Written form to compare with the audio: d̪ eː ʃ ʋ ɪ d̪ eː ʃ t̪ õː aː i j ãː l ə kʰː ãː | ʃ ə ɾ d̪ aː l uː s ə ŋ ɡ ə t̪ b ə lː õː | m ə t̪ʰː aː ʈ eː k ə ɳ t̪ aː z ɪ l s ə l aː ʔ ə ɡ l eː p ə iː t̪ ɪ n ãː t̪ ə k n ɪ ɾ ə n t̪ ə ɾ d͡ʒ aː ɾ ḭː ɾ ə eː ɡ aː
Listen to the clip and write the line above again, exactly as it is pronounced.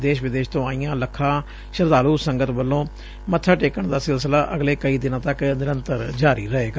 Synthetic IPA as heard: d̪ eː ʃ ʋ ɪ d̪ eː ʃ t̪ õː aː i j ãː l ə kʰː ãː | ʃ ə ɾ d̪ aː l uː s ə ŋ ɡ ə t̪ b ə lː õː | m ə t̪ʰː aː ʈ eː k ə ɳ d̪ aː s ɪ l s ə l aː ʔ ə ɡ l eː k ə iː d̪ ɪ n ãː t̪ ə k n ɪ ɾ ə n t̪ ə ɾ d͡ʒ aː ɾ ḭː ɾ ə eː ɡ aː